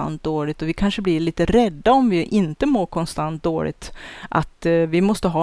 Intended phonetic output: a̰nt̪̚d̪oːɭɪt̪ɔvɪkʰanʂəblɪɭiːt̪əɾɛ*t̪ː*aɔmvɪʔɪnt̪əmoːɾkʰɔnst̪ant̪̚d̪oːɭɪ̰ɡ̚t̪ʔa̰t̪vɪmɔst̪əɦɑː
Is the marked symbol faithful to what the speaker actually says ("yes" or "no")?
no